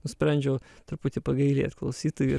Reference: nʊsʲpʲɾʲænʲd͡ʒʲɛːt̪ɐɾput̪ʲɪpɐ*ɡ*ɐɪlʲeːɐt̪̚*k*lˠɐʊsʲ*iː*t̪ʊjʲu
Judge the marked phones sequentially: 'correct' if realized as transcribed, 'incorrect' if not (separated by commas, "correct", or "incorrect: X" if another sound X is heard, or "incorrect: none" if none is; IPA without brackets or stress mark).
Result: correct, correct, correct